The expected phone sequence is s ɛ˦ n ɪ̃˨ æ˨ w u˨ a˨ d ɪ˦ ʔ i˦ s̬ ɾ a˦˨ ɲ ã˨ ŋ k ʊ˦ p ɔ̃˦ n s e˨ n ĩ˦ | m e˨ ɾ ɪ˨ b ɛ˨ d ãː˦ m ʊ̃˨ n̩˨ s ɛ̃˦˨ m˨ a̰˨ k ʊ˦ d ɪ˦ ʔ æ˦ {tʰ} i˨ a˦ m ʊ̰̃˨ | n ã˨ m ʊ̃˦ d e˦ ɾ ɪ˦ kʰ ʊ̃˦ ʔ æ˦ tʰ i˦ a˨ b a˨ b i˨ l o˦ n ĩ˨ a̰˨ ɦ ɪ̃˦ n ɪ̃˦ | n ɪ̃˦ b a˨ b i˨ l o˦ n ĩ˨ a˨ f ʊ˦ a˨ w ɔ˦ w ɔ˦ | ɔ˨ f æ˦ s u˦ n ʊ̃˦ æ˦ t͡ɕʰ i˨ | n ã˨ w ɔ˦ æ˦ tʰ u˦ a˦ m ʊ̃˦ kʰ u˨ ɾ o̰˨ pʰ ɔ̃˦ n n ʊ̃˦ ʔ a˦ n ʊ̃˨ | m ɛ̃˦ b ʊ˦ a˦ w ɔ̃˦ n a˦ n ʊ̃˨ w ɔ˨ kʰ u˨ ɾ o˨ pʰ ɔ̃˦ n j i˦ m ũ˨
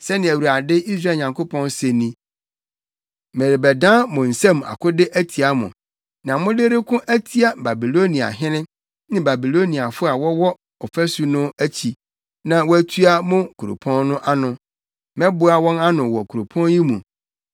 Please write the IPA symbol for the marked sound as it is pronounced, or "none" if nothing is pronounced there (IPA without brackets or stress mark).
tʰ